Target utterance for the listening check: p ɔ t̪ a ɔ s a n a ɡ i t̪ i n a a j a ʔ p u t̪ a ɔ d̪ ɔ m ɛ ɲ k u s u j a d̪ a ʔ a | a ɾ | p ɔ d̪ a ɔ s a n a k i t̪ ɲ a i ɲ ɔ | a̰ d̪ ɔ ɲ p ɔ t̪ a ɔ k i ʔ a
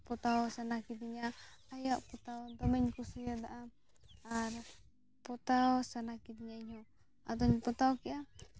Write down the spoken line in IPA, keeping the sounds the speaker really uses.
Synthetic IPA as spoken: p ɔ t̪ a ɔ s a n a k i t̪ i ɲ a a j a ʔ p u t̪ a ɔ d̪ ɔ m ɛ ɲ k u s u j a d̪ a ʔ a | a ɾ | p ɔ t̪ a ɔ s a n a k i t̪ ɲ a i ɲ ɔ | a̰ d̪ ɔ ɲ p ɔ t̪ a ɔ k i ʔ a